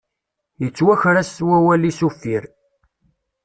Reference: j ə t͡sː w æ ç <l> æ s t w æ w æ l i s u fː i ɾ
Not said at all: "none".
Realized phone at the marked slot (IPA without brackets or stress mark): ɾ